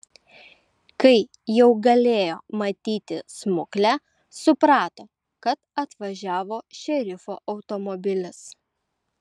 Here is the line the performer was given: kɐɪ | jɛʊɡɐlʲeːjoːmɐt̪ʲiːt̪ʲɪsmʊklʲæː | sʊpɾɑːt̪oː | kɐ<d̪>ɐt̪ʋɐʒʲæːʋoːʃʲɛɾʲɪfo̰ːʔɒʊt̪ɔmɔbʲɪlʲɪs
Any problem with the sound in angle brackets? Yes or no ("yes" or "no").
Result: yes